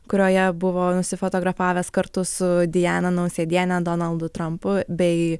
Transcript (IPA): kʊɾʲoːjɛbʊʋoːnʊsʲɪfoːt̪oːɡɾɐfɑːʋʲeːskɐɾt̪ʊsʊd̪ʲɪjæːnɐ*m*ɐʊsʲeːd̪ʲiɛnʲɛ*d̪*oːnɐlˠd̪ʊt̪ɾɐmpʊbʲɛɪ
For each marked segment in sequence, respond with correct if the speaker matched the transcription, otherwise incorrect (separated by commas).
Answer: incorrect, correct